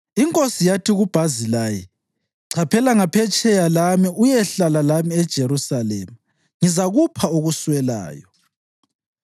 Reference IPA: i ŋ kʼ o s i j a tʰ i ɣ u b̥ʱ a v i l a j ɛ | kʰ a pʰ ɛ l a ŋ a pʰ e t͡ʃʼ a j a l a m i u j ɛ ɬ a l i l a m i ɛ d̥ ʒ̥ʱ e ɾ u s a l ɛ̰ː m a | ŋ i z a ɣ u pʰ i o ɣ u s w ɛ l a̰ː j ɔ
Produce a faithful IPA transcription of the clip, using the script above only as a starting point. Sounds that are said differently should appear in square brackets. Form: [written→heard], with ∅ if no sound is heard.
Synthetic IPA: i ŋ kʼ o s i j a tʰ i ɣ u b̥ʱ a [v→z] i l a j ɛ | [kʰ→ǀʰ] a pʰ ɛ l a ŋ a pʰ [e→ɛ] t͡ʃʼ [a→ɛ] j a l a m i u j ɛ ɬ a l [i→a] l a m i ɛ d̥ ʒ̥ʱ e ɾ u s a l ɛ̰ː m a | ŋ i z a ɣ u pʰ [i→a] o ɣ u s w ɛ l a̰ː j ɔ